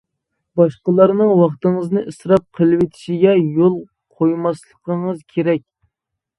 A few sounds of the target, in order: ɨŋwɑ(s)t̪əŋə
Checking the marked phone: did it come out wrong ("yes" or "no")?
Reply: yes